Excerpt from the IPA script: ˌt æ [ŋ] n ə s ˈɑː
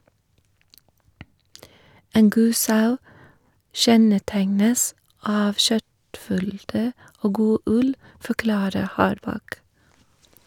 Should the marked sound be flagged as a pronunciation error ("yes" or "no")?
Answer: no